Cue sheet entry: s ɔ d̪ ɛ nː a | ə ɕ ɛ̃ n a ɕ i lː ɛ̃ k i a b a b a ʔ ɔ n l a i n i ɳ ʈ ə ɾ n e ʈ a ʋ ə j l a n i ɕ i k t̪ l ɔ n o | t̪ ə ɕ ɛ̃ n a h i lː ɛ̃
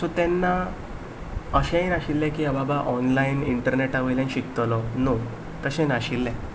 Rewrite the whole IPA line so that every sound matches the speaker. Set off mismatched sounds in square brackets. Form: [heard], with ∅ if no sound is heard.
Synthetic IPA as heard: s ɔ [t̪] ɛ nː a | ə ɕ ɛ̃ n a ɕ i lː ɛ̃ k i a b a b a ʔ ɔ n l a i n i ɳ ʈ ə ɾ n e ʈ a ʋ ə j l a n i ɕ i k t̪ l ɔ n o | t̪ ə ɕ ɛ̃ n a [ɕ] i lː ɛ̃

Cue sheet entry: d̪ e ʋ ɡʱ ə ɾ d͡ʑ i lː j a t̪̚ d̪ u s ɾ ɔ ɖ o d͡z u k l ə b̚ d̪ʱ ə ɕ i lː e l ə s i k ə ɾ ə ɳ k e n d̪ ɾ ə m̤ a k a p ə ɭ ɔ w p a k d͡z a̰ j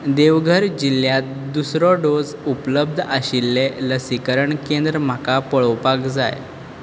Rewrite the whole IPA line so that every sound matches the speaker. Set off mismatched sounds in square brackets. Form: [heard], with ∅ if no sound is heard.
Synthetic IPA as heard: d̪ e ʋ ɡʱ ə ɾ d͡ʑ i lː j a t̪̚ d̪ u s ɾ ɔ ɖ o d͡z u [p] l ə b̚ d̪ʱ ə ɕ i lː e l ə s i k ə ɾ ə ɳ k e n d̪ ɾ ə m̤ a k a p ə ɭ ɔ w p a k d͡z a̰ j

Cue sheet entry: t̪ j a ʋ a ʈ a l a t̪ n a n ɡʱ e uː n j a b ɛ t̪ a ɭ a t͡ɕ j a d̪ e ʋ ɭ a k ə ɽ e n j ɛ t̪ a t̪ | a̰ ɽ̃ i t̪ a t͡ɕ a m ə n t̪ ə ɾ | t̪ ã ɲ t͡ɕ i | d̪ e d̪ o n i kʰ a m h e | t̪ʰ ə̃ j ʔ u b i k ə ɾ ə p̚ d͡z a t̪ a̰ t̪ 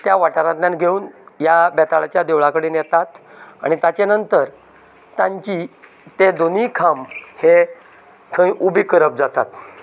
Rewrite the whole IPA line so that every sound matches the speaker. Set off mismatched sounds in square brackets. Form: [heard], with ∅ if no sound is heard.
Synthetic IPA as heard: t̪ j a ʋ a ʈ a [ɾ] a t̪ n a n ɡʱ e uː n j a b ɛ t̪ a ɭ a t͡ɕ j a d̪ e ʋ ɭ a k ə ɽ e n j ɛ t̪ a t̪ | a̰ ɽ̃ i t̪ a t͡ɕ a [n] ə n t̪ ə ɾ | t̪ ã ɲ t͡ɕ i | [t̪] e d̪ o n i kʰ a m h e | t̪ʰ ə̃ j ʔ u b i k ə ɾ ə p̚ d͡z a t̪ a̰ t̪

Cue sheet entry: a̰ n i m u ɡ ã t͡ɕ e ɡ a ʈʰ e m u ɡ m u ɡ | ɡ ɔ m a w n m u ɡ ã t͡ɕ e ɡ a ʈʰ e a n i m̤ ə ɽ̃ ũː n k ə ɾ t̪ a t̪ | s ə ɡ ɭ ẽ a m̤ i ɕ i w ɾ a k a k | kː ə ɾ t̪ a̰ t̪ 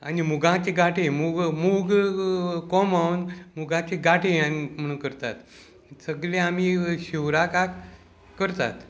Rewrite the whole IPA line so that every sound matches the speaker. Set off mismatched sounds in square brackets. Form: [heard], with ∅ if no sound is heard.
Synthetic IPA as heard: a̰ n i m u ɡ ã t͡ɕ e ɡ a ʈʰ e m u ɡ m u ɡ | [k] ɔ m a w n m u ɡ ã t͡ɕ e ɡ a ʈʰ e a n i m̤ ə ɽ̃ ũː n k ə ɾ t̪ a t̪ | s ə ɡ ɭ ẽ a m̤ i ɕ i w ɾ a k a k | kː ə ɾ t̪ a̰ t̪

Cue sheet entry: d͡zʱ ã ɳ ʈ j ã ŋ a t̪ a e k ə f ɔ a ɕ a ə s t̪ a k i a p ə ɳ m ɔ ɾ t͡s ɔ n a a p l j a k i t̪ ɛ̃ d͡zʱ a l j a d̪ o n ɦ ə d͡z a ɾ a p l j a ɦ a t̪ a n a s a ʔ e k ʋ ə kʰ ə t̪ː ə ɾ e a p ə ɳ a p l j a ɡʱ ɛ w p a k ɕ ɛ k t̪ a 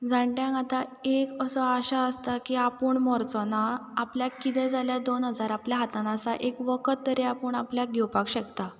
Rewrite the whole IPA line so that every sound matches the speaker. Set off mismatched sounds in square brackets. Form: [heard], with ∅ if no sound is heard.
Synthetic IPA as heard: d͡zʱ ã ɳ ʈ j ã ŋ a t̪ a e k ə [s] ɔ a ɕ a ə s t̪ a k i a p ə ɳ m ɔ ɾ t͡s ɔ n a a p l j a k i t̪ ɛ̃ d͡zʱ a l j a d̪ o n ɦ ə d͡z a ɾ a p l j a ɦ a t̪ a n a s a ʔ e k ʋ ə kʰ ə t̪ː ə ɾ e a p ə ɳ a p l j a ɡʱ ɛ w p a k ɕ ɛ k t̪ a

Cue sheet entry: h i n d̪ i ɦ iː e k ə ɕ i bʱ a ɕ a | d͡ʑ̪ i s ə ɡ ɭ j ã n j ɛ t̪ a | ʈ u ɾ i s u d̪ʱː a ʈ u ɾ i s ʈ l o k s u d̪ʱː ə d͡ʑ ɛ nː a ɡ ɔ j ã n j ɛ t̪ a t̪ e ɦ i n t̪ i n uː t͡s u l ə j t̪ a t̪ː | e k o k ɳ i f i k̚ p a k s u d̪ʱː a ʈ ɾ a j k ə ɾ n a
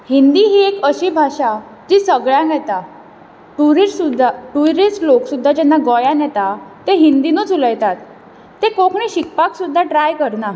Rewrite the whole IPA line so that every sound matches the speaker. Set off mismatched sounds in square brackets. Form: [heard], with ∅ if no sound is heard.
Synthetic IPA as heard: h i n d̪ i ɦ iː e k ə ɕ i bʱ a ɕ a | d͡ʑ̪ i s ə ɡ ɭ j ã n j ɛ t̪ a | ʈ u ɾ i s u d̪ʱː a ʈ u ɾ i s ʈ l o k s u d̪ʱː [a] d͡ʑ ɛ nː a ɡ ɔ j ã n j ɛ t̪ a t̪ e ɦ i n [d̪] i n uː t͡s u l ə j t̪ a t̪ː | e k o k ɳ i [ɕ] i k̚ p a k s u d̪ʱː a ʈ ɾ a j k ə ɾ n a

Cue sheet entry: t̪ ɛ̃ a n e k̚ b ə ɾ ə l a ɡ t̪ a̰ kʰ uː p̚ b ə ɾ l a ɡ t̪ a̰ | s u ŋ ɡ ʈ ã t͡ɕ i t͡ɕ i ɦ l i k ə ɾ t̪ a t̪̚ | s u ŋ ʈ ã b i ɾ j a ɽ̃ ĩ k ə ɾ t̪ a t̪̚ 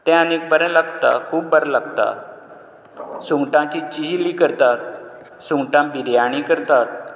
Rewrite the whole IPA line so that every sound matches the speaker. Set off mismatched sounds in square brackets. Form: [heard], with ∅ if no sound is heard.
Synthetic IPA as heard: t̪ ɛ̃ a n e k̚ b ə ɾ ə l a ɡ t̪ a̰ kʰ uː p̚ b ə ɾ l a ɡ t̪ a̰ | s u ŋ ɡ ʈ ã t͡ɕ i t͡ɕ i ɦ l i k ə ɾ t̪ a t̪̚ | s u ŋ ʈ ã b i ɾ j a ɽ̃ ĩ k ə ɾ t̪ a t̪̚

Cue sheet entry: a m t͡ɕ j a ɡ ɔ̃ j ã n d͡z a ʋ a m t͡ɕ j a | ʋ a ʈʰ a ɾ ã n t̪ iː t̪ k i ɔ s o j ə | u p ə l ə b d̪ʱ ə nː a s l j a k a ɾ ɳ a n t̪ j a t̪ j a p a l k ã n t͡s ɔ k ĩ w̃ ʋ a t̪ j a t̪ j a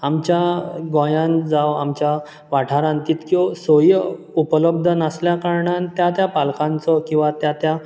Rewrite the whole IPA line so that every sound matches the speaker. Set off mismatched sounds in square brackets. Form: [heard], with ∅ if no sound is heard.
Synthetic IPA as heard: a m t͡ɕ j a ɡ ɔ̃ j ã n d͡z a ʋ a m t͡ɕ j a | ʋ a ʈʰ a ɾ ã n t̪ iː t̪ k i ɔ s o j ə | u p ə l ə b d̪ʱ ə [n] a s l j a k a ɾ ɳ a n t̪ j a t̪ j a p a l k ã n t͡s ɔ k ĩ w̃ ʋ a t̪ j a t̪ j a

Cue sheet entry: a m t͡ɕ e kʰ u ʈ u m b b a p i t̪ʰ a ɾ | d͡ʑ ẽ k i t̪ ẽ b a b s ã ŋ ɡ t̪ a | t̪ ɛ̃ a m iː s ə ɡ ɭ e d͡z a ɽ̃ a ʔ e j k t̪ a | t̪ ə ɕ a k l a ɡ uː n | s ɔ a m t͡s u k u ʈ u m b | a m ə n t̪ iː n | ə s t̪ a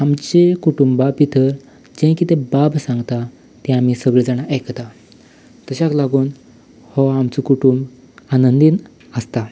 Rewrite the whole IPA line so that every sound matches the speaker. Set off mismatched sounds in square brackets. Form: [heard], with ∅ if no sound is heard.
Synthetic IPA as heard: a m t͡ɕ e [k] u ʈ u m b b a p i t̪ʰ [ə] ɾ | d͡ʑ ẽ k i t̪ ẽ b a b s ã ŋ ɡ t̪ a | t̪ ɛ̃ a m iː s ə ɡ ɭ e d͡z a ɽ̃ a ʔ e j k t̪ a | t̪ ə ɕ a k l a ɡ uː n | [h] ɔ a m t͡s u k u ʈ u m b | a [n] ə n [d̪] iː n | ə s t̪ a

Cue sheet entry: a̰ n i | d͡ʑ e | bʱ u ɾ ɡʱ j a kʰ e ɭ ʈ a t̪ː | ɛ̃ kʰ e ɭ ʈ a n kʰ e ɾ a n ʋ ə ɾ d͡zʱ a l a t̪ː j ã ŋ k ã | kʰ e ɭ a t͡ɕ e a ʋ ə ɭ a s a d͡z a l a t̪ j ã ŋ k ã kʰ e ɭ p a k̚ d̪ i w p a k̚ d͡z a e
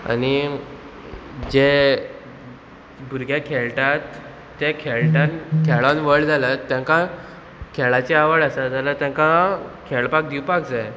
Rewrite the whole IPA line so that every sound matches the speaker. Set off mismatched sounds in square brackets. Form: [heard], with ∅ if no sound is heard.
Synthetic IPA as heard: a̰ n i | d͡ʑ e | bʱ u ɾ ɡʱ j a kʰ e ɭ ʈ a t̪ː | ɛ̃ kʰ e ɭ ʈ a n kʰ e [ɭ] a n ʋ ə [ɭ] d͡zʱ a l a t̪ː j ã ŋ k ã | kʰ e ɭ a t͡ɕ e a ʋ ə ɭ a s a d͡z a l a t̪ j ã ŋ k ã kʰ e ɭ p a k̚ d̪ i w p a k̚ d͡z a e

